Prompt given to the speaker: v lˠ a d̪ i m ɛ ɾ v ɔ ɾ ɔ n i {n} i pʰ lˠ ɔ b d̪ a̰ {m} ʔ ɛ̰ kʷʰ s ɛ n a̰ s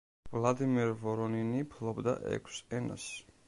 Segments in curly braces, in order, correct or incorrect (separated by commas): correct, incorrect